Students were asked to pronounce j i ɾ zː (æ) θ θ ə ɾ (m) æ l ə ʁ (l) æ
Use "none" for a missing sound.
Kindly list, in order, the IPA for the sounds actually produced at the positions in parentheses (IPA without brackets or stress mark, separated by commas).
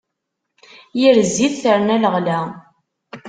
i, n, l